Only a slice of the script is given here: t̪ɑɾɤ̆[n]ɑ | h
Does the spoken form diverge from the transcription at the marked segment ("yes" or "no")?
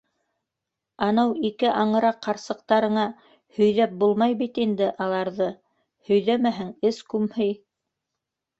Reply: yes